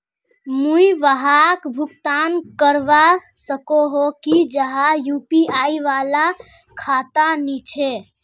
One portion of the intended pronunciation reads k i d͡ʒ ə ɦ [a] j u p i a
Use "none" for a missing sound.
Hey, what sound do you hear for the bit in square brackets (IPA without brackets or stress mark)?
a